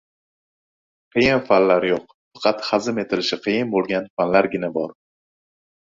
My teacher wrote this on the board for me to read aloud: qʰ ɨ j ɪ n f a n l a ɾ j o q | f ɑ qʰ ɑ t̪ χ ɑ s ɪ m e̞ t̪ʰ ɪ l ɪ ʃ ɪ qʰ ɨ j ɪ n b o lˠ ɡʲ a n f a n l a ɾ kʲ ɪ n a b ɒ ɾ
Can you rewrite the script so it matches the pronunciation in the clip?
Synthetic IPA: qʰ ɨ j ɪ n f a n l a ɾ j o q | f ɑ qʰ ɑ t̪ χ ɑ z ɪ m e̞ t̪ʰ ɪ l ɪ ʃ ɪ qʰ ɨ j ɪ n b o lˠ ɡʲ a n f a n l a ɾ ɡʲ ɪ n a b ɒ ɾ